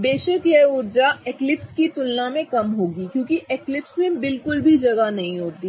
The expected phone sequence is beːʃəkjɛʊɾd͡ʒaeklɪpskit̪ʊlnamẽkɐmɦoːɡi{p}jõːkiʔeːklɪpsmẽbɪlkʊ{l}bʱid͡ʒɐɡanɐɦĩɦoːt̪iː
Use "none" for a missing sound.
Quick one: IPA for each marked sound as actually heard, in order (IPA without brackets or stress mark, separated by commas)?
k, l